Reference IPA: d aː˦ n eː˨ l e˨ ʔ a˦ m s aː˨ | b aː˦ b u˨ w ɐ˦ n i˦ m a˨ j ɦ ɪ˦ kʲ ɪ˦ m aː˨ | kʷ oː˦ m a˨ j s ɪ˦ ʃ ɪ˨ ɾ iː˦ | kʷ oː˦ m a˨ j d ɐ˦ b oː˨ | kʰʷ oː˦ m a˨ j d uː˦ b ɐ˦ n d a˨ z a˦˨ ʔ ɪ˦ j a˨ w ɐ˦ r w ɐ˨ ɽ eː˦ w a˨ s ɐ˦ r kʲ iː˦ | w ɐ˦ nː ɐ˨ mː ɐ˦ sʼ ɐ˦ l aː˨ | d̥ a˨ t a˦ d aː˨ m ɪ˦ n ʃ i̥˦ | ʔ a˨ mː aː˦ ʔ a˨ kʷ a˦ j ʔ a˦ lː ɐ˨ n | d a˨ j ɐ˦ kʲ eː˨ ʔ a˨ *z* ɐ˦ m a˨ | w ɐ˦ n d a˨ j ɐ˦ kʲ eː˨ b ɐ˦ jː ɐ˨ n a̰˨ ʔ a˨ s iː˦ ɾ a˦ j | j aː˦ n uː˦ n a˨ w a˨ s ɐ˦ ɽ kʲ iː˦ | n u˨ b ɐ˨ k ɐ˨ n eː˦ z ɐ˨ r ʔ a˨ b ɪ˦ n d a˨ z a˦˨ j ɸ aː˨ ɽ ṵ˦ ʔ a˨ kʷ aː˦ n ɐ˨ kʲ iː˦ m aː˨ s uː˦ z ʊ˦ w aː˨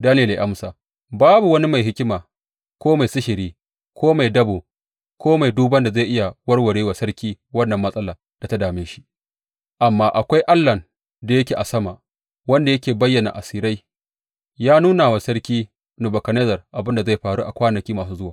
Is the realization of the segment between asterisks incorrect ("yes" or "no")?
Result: yes